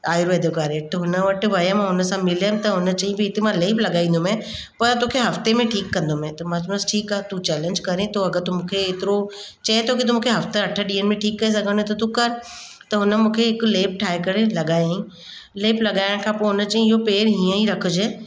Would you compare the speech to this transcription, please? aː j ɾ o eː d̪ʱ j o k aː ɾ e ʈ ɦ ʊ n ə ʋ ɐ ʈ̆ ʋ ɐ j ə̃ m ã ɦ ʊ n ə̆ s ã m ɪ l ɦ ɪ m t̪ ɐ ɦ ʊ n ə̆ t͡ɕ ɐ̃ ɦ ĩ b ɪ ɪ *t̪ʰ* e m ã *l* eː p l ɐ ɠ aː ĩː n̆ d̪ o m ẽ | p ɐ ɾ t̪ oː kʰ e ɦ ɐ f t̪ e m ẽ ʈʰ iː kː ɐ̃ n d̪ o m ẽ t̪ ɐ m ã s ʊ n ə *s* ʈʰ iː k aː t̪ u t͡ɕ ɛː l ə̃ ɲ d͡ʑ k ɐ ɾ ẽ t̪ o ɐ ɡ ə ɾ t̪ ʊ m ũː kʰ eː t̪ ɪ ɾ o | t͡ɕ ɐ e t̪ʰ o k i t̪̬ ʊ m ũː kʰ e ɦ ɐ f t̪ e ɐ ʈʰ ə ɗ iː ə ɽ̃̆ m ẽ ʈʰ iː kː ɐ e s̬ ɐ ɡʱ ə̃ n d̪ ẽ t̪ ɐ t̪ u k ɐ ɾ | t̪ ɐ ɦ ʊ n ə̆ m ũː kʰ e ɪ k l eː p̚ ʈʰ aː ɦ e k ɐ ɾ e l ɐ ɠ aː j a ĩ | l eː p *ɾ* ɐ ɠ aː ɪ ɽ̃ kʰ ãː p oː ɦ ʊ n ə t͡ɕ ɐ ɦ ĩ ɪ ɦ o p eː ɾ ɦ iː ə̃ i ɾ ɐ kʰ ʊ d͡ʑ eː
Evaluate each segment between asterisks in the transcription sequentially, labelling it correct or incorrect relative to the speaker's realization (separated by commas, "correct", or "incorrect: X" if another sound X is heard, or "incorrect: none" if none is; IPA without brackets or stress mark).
incorrect: t̪, correct, correct, incorrect: l